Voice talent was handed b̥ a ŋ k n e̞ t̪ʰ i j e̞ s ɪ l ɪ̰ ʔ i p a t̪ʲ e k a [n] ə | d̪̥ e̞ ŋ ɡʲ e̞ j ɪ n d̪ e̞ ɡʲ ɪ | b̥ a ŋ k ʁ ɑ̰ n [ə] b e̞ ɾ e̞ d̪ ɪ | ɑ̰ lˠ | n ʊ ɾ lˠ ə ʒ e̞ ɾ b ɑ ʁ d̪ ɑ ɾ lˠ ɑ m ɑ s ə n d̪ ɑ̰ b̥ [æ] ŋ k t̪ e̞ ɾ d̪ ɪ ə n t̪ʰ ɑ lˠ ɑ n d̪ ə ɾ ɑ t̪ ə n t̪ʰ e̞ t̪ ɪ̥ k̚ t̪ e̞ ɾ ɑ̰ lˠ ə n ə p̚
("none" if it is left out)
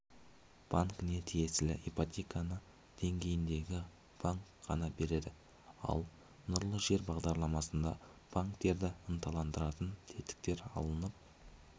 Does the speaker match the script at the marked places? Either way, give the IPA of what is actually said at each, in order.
n, ɑ, a

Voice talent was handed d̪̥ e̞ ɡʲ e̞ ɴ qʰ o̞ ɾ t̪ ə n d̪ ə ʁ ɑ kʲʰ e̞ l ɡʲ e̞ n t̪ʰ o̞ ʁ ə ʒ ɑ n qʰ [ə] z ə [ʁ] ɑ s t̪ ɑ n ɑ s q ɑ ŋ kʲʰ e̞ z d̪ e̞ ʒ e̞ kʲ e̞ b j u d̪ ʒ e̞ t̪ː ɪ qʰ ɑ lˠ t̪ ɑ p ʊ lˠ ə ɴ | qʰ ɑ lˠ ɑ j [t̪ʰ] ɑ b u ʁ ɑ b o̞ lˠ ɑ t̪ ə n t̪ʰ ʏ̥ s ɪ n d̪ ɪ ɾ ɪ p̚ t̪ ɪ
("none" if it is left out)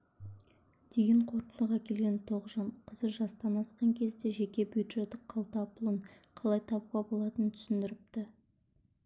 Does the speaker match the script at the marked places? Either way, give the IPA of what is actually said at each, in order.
ə, ʒ, t̪ʰ

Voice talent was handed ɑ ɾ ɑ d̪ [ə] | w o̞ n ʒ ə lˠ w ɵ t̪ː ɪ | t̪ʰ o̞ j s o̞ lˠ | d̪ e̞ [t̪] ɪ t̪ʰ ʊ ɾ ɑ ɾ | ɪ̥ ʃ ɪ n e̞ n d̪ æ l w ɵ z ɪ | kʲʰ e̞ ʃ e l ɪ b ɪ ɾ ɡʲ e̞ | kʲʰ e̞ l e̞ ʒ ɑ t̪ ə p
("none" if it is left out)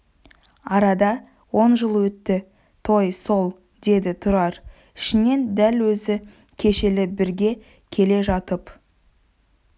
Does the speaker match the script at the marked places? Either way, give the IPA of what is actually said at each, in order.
ɑ, d̪

